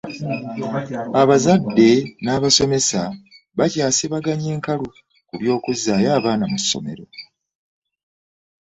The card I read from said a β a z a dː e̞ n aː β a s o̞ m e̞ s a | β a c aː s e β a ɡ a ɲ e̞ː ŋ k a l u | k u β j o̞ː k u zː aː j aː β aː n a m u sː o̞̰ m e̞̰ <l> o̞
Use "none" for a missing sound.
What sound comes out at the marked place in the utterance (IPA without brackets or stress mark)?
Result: ɾ